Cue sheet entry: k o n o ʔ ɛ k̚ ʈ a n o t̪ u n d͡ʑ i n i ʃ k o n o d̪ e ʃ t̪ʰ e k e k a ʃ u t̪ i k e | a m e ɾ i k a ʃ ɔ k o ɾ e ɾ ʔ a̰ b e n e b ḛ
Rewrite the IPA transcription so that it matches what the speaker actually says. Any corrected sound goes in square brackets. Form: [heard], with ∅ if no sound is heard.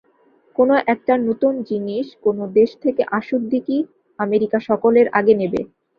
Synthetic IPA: k o n o ʔ ɛ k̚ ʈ a n o t̪ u n d͡ʑ i n i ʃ k o n o d̪ e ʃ t̪ʰ e k e [ʔ] a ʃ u [d̪] i k [i] | a m e ɾ i k a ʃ ɔ k o [l] e ɾ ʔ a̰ [ɡ] e n e b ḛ